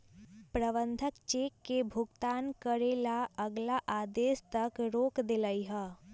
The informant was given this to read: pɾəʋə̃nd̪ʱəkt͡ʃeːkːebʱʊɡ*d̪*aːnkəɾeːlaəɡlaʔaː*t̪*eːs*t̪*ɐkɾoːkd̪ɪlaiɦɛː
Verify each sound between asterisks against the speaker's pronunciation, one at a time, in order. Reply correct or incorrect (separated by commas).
incorrect, incorrect, correct